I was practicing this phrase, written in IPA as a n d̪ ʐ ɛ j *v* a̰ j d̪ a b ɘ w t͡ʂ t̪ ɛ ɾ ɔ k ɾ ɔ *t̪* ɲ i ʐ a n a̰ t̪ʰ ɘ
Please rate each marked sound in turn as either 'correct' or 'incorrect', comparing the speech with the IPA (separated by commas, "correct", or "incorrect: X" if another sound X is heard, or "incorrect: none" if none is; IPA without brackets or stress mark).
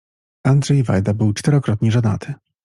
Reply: correct, correct